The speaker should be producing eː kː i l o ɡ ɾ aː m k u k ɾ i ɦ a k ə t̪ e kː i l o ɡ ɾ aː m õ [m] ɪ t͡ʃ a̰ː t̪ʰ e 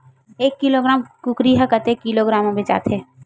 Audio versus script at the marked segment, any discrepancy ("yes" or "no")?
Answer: yes